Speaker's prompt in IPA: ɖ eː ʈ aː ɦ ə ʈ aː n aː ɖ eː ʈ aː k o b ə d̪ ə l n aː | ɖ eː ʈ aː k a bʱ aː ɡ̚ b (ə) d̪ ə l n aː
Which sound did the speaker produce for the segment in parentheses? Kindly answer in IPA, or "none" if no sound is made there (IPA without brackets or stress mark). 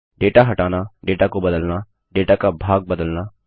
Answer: ə